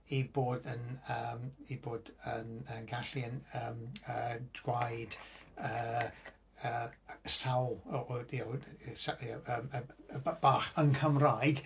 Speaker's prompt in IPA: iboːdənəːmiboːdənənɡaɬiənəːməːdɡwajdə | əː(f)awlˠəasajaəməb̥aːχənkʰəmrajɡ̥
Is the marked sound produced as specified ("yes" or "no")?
no